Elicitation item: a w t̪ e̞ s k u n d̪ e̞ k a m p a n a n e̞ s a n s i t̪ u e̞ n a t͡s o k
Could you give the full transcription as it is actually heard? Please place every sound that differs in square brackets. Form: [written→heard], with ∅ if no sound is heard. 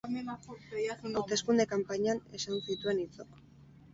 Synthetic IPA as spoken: a w t̪ e̞ s k u n d̪ e̞ k a m p a [n→ɲ] a n e̞ s a n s i t̪ u e̞ n [a→i] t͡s o k